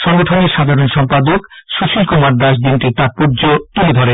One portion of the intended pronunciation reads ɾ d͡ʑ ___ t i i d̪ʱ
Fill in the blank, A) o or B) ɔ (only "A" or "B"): A